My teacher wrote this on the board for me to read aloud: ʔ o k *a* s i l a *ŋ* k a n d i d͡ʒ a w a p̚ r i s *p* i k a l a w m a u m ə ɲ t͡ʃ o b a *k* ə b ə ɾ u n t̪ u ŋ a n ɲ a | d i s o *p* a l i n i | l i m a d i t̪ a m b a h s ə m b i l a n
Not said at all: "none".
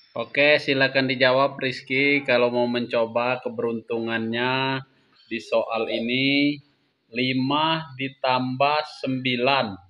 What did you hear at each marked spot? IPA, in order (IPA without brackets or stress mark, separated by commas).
e, none, k, k, ʔ